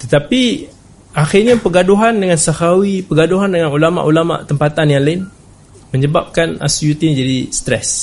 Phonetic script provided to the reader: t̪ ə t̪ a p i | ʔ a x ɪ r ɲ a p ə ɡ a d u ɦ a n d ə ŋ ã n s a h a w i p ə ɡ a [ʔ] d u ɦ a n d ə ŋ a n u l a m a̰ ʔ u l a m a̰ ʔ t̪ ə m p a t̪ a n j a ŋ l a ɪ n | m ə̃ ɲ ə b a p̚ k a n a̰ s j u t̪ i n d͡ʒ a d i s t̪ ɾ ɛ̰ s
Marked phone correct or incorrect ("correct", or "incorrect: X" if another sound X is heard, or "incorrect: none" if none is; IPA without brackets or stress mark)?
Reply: incorrect: none